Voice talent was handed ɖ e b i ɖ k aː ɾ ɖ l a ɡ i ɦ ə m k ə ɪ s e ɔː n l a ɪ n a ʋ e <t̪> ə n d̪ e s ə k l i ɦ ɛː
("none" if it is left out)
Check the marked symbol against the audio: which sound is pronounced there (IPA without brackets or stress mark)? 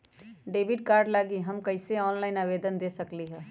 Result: d̪